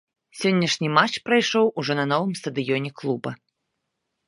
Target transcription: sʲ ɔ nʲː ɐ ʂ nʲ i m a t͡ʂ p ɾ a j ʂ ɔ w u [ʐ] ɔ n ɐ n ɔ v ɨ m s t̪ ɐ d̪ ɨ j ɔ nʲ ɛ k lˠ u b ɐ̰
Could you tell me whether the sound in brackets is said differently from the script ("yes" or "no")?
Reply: no